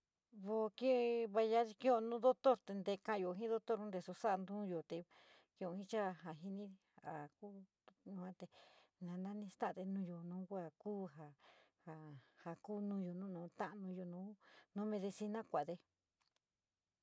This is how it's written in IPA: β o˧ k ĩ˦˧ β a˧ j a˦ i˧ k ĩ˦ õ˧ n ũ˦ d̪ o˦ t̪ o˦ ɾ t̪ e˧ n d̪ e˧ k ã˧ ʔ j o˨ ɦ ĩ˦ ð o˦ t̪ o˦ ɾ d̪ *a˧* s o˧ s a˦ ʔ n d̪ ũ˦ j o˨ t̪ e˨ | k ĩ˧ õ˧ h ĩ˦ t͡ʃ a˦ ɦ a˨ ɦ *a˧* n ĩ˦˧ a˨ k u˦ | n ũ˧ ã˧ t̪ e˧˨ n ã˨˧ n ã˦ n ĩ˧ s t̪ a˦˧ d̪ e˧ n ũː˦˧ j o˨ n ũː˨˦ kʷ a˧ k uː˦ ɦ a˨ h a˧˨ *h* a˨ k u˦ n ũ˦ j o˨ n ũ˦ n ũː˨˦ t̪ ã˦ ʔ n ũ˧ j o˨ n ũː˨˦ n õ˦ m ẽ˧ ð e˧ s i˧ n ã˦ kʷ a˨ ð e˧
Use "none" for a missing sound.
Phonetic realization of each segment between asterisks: e˧, i˧, h

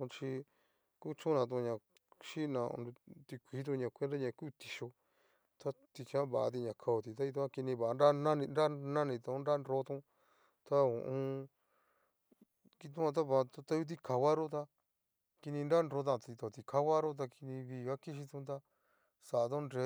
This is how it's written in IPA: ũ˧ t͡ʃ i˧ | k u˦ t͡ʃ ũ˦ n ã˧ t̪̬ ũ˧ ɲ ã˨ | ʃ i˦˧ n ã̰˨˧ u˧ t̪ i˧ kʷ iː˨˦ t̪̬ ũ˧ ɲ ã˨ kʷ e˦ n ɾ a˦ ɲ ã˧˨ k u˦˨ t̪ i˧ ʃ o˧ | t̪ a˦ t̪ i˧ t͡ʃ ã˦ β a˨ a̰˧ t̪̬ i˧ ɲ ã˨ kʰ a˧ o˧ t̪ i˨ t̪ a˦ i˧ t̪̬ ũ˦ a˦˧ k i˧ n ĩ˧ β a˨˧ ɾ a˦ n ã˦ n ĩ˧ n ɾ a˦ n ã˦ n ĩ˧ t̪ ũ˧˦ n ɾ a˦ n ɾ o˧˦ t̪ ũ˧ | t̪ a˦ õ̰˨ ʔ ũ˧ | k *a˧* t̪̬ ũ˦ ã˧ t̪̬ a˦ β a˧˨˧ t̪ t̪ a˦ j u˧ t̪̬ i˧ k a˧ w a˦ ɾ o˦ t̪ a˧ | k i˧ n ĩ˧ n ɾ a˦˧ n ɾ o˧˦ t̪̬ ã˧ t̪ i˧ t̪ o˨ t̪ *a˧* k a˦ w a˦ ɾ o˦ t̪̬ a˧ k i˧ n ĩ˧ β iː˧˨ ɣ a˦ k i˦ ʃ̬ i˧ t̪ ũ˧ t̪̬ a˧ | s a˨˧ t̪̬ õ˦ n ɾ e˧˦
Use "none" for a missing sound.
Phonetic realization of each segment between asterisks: i˧, i˧

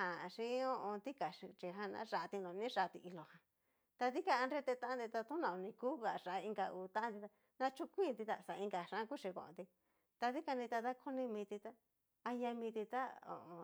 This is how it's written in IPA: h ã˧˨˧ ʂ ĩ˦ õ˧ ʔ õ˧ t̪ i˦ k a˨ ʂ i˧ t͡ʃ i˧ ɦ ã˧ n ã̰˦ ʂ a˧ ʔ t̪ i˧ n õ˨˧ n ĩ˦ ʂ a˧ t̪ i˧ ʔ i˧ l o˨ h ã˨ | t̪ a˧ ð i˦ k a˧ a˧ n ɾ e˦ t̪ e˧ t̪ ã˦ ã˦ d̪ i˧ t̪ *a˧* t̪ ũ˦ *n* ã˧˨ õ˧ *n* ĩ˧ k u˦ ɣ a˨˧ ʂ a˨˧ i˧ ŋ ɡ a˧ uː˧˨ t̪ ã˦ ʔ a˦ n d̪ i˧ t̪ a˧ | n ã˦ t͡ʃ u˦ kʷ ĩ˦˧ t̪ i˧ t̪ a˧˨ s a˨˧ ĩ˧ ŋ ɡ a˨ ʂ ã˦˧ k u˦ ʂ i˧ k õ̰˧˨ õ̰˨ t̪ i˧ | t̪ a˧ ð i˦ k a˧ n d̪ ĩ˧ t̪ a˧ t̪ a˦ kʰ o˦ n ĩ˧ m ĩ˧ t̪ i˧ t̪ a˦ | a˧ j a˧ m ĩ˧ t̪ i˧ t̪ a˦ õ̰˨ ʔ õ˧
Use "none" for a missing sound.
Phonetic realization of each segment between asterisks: a˧, n, n

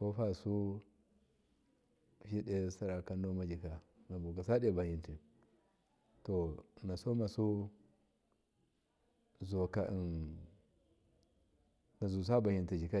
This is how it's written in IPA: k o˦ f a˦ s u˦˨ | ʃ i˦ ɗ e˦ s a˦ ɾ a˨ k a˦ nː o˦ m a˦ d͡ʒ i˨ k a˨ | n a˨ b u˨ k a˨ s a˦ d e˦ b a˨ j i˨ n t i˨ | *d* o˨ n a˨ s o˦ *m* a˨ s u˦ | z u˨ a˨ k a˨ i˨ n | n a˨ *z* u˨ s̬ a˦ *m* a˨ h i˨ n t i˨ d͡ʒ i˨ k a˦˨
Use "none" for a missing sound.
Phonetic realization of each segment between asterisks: t, m, z, b

